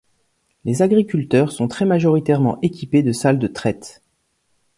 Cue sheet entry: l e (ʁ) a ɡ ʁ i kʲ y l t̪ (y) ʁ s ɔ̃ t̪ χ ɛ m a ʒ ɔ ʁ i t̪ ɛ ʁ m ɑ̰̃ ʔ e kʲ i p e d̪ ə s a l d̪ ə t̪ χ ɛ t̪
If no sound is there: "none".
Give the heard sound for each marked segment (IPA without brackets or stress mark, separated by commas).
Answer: z, œ